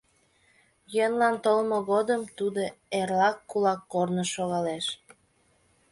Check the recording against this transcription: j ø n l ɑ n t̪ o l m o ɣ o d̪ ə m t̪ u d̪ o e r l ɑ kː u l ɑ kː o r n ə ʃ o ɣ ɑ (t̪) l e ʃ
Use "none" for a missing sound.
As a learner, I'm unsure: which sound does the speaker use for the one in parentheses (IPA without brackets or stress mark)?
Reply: none